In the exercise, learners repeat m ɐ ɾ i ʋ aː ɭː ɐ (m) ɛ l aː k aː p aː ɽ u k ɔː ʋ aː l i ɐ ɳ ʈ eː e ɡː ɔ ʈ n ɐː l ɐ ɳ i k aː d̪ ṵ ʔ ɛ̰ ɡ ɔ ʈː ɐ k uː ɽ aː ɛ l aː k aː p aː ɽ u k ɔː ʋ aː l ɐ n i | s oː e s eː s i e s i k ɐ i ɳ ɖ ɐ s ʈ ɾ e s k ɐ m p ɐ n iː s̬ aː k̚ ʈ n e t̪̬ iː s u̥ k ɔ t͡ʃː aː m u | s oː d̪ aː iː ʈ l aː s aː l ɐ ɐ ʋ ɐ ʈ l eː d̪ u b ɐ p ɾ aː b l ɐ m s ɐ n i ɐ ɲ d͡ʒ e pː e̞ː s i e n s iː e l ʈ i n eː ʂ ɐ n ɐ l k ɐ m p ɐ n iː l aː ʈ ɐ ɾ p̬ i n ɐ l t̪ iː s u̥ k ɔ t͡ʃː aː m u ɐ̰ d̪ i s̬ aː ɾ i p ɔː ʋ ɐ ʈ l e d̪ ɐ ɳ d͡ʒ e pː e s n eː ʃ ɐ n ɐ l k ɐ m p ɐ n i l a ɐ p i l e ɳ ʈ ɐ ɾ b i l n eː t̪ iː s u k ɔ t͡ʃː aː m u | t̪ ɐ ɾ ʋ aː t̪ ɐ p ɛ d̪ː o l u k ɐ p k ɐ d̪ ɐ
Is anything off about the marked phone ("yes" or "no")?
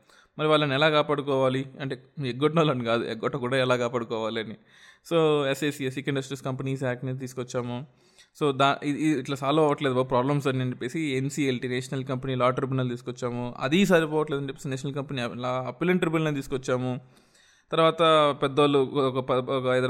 yes